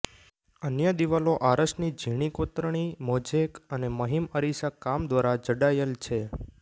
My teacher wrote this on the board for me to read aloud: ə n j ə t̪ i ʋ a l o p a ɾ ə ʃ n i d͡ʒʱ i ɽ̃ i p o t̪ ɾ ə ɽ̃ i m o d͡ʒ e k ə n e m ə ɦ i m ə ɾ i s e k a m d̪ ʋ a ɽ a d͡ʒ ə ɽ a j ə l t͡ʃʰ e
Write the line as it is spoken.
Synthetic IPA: ə n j ə d̪ i ʋ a l o ʔ a ɾ ə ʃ n i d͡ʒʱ i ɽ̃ i k o t̪ ɾ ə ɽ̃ i m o d͡ʒ e k ə n e m ə ɦ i m ə ɾ i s a k a m d̪ ʋ a ɾ a d͡ʒ ə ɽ a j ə l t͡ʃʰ e